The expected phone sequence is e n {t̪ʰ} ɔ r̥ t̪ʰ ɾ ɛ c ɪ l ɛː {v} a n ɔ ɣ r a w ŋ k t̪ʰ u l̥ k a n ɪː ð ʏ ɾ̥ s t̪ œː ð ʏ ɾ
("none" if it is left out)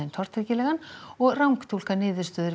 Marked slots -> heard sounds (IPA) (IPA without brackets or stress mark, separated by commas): t̪ʰ, ɣ